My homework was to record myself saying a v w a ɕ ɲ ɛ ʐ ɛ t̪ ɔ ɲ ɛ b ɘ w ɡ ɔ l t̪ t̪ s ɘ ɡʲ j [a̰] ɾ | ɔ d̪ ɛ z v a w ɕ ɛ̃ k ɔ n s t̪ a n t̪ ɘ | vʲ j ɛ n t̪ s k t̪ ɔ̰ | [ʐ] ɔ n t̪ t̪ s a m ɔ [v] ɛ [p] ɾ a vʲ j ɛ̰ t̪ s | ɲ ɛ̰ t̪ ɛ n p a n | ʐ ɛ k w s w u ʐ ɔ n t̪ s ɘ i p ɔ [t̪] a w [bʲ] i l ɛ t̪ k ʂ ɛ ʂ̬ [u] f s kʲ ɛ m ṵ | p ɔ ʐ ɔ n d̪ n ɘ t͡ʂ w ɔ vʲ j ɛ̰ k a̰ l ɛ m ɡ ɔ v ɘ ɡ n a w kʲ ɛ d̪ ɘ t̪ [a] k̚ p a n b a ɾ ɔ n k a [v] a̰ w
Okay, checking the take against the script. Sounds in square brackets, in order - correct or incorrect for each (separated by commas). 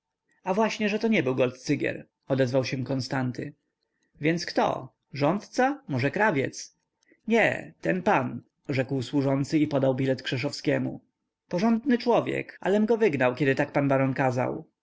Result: incorrect, correct, incorrect, incorrect, incorrect, correct, incorrect, correct, incorrect